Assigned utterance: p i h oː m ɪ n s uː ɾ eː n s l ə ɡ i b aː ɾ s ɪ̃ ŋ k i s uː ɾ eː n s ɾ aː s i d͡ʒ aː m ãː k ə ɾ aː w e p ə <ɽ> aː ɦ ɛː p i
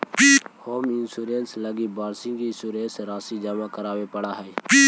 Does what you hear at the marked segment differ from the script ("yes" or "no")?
no